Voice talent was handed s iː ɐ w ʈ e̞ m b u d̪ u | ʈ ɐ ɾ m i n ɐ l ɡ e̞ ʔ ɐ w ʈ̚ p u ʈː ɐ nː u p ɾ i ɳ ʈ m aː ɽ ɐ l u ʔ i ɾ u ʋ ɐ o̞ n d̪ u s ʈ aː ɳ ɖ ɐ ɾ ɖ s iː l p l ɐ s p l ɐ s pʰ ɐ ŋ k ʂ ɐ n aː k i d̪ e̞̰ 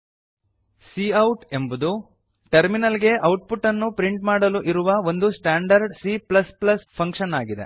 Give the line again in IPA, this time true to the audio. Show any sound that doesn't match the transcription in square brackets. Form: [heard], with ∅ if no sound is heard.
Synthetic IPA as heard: s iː ɐ w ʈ e̞ m b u d̪ u | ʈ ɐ ɾ m i n ɐ l ɡ e̞ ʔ ɐ w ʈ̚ p u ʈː ɐ nː u p ɾ i ɳ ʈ m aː ɽ ɐ l u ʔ i ɾ u ʋ ɐ o̞ n d̪ u s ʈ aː ɳ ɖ ɐ ɾ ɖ s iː [∅] p l ɐ s p l ɐ s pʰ ɐ ŋ k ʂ ɐ n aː [ɡ] i d̪ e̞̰